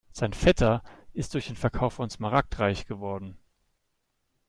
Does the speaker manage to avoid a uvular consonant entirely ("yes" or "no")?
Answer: no